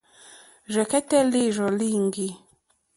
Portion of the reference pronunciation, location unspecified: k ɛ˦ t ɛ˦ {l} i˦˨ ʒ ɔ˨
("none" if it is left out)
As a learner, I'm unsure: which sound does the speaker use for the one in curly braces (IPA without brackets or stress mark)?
l